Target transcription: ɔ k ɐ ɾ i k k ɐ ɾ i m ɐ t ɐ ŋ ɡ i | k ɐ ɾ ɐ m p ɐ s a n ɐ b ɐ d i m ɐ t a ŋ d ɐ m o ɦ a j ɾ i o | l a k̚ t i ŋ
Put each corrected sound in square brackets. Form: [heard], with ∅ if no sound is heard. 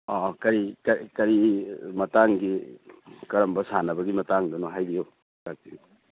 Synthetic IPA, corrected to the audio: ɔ k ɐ ɾ i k k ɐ ɾ i m ɐ t [a] ŋ ɡ i | k ɐ ɾ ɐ m [b] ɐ s a n ɐ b ɐ [ɡ] i m ɐ t a ŋ d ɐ [n] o ɦ a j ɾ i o | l a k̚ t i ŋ